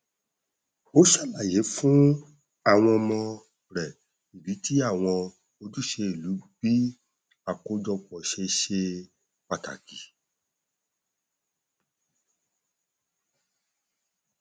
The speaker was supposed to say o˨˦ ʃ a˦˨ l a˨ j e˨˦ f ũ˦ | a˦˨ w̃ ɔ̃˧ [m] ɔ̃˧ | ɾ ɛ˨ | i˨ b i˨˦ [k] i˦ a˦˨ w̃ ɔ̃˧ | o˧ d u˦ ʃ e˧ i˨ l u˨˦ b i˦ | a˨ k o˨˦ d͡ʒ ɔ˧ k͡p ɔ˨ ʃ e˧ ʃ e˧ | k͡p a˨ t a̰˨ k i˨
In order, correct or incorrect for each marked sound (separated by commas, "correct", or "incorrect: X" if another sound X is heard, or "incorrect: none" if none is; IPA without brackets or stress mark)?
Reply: correct, incorrect: t